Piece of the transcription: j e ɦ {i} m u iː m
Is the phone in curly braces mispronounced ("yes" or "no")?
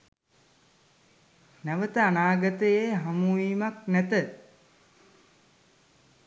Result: yes